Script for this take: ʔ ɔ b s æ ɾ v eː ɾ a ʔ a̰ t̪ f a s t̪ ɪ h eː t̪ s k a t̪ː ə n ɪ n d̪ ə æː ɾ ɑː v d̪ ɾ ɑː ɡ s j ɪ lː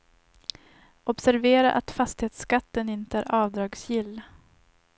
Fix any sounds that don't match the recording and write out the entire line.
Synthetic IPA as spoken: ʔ ɔ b s æ ɾ v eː ɾ a ʔ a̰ t̪ f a s t̪ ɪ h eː t̪ s k a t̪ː ə n ɪ n t̪ ə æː ɾ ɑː v d̪ ɾ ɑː ɡ s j ɪ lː